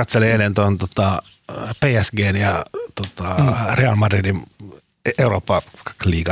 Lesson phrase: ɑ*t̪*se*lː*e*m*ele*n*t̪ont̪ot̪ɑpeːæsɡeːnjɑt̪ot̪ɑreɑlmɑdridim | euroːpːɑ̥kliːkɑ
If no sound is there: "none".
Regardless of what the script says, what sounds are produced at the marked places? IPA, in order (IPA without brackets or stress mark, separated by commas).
t̪, l, none, n